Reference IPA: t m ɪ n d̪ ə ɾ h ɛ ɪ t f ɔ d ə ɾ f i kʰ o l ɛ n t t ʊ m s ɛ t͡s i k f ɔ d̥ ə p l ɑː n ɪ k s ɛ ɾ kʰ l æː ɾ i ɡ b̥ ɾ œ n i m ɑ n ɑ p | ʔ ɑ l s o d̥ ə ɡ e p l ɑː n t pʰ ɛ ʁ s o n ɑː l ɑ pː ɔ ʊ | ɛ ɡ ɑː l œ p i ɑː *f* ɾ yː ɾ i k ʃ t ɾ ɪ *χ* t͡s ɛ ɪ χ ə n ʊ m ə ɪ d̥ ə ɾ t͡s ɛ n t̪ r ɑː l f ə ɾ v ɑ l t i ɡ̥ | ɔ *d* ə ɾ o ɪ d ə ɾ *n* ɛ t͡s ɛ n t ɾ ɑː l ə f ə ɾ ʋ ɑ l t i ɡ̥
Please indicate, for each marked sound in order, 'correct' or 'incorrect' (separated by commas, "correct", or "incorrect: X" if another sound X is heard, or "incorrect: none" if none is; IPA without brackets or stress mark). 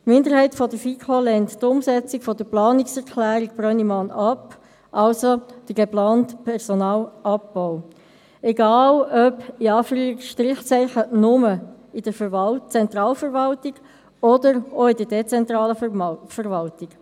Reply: correct, correct, correct, incorrect: d